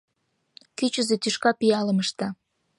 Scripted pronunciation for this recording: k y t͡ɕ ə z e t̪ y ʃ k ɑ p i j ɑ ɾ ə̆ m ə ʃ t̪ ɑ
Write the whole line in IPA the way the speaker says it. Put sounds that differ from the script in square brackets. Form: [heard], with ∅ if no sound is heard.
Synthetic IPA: k y t͡ɕ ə z e t̪ y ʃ k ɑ p i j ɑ [l] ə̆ m ə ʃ t̪ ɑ

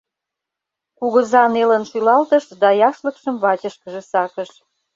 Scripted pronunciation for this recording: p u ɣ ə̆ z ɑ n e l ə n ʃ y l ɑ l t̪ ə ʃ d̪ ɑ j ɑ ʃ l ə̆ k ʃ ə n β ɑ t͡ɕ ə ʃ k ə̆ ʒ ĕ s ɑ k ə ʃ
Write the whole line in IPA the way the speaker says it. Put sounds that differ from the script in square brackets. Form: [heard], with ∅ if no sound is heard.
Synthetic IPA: [k] u ɣ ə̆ z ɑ n e l ə n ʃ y l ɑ l t̪ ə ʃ d̪ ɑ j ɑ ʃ l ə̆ k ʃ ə [m] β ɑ t͡ɕ ə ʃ k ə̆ ʒ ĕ s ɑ k ə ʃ

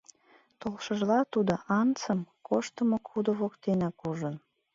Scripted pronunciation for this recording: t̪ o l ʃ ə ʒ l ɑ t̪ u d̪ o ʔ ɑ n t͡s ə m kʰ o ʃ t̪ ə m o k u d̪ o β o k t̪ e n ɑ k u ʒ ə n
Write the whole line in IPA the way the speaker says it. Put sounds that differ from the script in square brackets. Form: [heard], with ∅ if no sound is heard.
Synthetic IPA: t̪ o l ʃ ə ʒ l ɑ t̪ u d̪ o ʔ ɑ n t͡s ə m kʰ o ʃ t̪ ə m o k u d̪ o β o k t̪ e n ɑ k u ʒ ə n

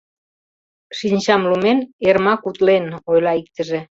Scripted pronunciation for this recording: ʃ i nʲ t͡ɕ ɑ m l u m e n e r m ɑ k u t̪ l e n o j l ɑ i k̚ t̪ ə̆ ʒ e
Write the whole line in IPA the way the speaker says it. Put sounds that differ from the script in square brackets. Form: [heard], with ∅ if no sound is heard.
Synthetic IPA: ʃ i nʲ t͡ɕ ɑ m l u m e n e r m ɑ k u t̪ l e n o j l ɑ i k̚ t̪ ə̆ ʒ e

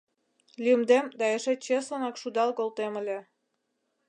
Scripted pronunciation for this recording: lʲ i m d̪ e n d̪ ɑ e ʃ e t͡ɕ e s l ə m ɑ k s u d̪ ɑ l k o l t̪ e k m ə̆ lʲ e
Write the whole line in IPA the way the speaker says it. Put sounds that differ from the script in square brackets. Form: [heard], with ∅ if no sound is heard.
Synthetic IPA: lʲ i m d̪ e [m] d̪ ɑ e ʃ e t͡ɕ e s l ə [n] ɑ k [ʃ] u d̪ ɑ l k o l t̪ e [∅] m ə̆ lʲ e

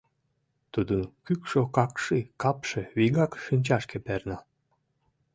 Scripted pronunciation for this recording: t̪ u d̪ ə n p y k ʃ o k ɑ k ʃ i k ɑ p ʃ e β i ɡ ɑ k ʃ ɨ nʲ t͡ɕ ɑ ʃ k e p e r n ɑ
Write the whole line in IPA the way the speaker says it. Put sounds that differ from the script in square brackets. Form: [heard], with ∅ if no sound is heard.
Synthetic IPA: t̪ u d̪ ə n [k] y k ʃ o k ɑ k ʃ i k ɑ p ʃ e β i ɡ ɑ k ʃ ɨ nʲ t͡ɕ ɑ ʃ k e p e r n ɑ

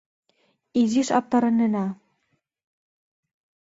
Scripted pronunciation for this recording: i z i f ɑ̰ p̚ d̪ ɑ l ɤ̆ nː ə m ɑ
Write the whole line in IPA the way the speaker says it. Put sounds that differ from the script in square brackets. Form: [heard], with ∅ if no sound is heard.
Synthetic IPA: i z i [ʃ] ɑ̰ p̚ [t̪] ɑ [ɾ] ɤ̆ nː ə [n] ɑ

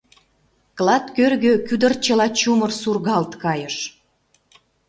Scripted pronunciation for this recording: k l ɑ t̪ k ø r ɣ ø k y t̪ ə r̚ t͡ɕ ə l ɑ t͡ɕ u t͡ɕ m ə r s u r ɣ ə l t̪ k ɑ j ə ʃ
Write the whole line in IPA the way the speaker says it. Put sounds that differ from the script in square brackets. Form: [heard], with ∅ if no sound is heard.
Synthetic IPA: k l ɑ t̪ k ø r ɣ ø k y [d̪] ə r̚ t͡ɕ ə l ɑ t͡ɕ u [∅] m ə r s u r ɣ [ɑ] l t̪ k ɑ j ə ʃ

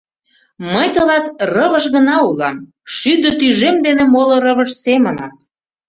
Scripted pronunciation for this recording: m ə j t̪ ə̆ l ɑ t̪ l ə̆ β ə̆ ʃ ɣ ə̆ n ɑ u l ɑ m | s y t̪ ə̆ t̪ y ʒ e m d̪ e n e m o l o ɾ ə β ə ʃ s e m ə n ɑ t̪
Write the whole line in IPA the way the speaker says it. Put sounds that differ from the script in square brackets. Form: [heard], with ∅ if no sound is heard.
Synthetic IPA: m ə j t̪ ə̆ l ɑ t̪ [r] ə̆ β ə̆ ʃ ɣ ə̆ n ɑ u l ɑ m | [ʃ] y [d̪] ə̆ t̪ y ʒ e m d̪ e n e m o l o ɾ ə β ə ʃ s e m ə n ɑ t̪

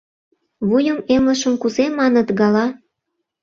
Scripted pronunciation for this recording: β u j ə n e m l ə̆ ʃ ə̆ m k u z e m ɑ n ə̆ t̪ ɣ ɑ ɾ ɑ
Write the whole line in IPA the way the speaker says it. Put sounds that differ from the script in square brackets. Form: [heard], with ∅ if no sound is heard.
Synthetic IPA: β u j ə [m] e m l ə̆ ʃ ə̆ m k u z e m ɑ n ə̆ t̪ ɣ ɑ [l] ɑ

